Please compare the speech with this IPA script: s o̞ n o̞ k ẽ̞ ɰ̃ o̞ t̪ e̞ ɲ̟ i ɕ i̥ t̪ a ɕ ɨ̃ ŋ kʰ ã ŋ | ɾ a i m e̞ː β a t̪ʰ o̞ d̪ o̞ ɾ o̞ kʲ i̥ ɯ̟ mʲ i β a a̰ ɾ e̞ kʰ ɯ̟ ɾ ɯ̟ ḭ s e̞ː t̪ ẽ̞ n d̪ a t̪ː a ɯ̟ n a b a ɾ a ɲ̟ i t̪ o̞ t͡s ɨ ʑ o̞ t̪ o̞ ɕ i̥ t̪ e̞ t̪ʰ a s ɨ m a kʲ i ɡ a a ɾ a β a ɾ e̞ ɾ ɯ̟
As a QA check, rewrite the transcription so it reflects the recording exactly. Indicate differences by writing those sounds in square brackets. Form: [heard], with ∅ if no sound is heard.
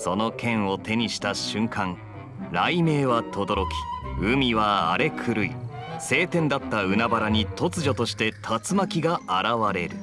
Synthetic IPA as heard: s o̞ n o̞ k ẽ̞ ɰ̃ o̞ t̪ e̞ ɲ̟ i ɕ i̥ t̪ a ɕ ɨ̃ ŋ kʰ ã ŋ | ɾ a i m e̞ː β a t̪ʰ o̞ d̪ o̞ ɾ o̞ kʲ i̥ ɯ̟ mʲ i β a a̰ ɾ e̞ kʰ ɯ̟ ɾ ɯ̟ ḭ s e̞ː t̪ ẽ̞ n d̪ a t̪ː a ɯ̟ n a b a ɾ a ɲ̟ i t̪ o̞ t͡s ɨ ʑ o̞ t̪ o̞ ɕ i̥ t̪ e̞ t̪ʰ a [t͡s] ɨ m a kʲ i ɡ a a ɾ a β a ɾ e̞ ɾ ɯ̟